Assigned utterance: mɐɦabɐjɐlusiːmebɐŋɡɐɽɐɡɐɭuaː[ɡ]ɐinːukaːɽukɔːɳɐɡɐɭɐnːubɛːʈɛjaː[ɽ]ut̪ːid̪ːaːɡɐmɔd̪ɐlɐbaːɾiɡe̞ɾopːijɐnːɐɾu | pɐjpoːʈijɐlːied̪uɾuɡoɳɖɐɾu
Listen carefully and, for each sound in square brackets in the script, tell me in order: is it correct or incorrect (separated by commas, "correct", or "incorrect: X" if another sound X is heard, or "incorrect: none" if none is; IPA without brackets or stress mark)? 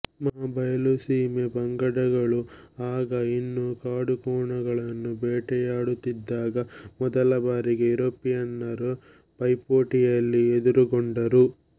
correct, correct